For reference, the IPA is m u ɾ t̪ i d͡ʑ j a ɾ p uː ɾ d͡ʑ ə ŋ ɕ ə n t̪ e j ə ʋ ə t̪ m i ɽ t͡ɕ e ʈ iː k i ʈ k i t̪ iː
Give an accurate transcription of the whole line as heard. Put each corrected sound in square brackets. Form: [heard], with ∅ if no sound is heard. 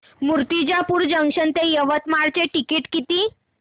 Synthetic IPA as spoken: m u ɾ t̪ i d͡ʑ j a [∅] p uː ɾ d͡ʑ ə ŋ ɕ ə n t̪ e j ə ʋ ə t̪ m [a] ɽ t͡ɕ e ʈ [i] k i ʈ k i t̪ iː